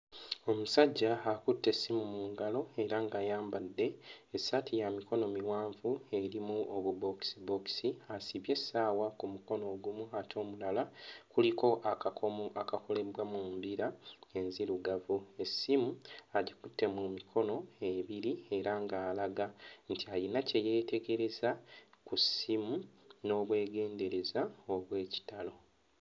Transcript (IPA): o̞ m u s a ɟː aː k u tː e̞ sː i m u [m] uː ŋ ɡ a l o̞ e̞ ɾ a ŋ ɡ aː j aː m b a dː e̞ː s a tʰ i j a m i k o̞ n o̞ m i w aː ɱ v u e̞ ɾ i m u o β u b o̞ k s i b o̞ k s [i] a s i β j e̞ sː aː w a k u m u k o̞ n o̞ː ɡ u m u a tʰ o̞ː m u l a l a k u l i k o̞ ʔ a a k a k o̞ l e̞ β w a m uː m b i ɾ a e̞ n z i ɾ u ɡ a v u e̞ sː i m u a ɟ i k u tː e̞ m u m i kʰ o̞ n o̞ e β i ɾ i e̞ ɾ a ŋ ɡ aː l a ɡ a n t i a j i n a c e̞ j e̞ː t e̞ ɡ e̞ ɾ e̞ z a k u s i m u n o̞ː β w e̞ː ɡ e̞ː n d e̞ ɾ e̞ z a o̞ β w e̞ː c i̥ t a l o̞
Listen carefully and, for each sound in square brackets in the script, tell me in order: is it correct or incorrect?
correct, correct

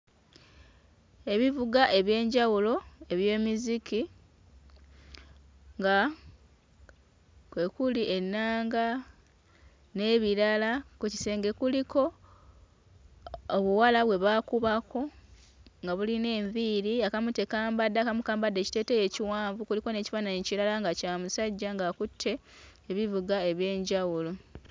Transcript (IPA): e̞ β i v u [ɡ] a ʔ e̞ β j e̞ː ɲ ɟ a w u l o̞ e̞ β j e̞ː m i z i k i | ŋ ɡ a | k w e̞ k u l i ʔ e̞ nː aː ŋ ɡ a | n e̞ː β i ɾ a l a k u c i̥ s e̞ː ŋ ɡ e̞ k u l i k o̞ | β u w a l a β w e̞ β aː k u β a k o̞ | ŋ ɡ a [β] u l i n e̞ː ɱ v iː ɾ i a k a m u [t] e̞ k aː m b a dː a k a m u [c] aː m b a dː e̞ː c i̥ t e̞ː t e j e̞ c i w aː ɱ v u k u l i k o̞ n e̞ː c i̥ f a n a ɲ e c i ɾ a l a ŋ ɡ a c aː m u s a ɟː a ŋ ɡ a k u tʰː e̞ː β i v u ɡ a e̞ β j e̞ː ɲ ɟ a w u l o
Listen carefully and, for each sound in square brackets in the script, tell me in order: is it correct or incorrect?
correct, correct, correct, incorrect

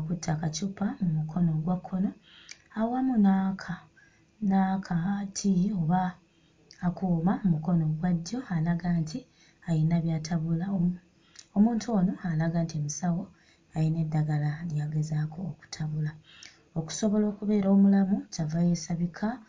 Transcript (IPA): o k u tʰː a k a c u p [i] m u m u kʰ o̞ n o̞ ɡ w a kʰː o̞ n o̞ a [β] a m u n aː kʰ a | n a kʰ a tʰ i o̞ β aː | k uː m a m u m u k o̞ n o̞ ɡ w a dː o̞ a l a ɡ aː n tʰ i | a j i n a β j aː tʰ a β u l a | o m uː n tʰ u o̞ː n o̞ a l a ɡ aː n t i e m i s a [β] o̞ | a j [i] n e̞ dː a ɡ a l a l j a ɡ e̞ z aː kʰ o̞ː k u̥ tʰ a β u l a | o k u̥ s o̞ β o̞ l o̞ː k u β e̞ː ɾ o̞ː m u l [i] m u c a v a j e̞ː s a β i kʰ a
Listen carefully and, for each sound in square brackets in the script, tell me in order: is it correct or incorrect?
incorrect, incorrect, incorrect, correct, incorrect

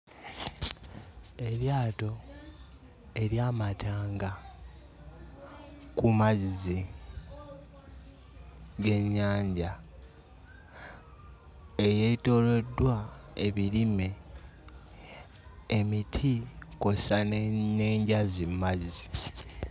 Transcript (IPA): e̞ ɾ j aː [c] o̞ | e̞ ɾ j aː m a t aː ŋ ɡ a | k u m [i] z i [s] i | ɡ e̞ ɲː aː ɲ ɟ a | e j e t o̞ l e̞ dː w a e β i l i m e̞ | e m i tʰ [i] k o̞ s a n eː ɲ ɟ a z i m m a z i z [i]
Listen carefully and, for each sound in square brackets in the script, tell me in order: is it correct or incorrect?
incorrect, incorrect, incorrect, correct, correct

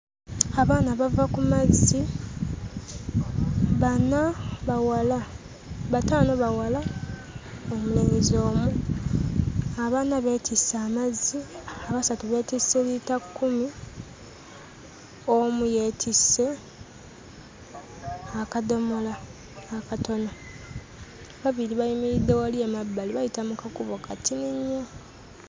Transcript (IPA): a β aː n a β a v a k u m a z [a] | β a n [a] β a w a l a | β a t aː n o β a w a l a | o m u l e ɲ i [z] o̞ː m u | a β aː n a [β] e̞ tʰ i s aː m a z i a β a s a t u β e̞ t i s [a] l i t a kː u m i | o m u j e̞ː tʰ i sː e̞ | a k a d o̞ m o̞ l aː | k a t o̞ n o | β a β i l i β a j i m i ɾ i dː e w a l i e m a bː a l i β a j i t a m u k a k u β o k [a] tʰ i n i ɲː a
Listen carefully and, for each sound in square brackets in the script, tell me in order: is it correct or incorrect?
incorrect, correct, correct, correct, incorrect, correct

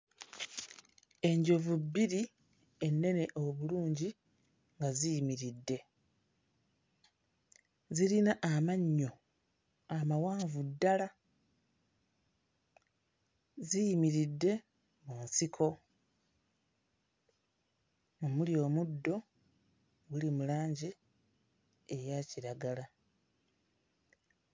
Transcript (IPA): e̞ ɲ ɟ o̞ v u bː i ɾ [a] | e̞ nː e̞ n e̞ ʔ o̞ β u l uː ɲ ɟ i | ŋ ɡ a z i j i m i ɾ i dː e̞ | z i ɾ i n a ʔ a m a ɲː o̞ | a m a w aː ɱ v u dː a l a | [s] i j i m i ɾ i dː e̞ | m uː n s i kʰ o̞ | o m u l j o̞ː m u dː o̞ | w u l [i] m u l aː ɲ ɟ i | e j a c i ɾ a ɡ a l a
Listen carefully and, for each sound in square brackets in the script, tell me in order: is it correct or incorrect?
incorrect, incorrect, correct

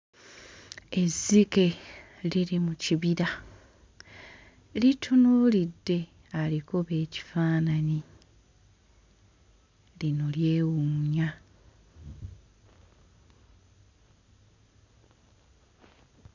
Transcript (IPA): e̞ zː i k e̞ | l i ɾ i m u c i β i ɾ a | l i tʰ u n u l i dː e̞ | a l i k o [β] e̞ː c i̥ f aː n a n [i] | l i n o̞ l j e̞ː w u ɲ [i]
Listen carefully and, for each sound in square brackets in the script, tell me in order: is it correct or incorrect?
correct, correct, incorrect

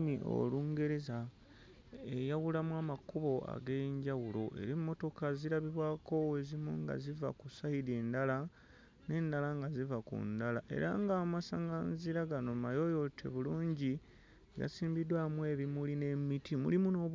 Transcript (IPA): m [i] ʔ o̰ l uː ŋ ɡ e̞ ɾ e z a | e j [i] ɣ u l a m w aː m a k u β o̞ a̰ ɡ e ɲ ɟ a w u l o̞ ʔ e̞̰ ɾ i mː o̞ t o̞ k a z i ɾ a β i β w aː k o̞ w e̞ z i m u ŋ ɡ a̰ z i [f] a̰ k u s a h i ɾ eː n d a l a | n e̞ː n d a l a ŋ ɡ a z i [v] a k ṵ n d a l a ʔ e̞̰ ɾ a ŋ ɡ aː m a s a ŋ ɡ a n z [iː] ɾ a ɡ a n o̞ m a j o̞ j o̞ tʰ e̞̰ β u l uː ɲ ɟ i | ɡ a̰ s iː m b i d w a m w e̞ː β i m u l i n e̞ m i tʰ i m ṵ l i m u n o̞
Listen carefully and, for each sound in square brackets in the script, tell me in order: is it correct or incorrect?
correct, incorrect, incorrect, correct, incorrect

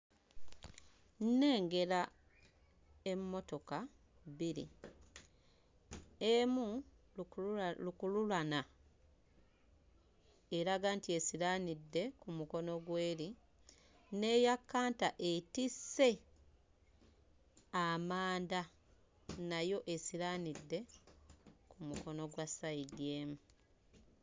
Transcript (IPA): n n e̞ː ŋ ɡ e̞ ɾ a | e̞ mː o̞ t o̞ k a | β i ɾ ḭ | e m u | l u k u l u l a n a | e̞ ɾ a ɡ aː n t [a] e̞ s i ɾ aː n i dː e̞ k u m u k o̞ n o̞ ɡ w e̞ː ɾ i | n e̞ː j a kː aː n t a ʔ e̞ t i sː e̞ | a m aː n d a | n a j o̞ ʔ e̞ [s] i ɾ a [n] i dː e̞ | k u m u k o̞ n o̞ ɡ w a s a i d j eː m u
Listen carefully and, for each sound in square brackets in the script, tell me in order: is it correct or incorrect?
incorrect, correct, correct

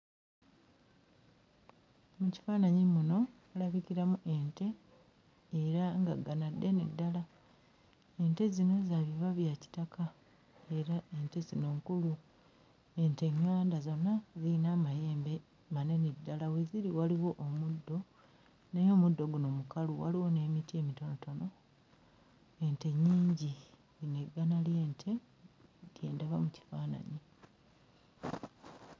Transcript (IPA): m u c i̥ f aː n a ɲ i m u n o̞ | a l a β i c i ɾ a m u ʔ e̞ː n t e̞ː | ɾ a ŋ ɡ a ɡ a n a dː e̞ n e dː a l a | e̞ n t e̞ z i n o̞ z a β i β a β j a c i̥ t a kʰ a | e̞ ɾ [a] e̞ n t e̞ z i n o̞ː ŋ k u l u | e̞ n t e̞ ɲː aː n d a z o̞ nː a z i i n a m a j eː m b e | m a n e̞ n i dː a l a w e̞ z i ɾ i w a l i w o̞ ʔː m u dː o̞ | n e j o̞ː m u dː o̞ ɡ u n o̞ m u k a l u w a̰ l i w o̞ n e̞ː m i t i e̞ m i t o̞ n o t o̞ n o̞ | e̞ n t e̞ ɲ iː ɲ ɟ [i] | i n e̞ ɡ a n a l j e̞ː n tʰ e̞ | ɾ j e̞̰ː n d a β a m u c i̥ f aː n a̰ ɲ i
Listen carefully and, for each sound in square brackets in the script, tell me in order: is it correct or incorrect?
correct, correct

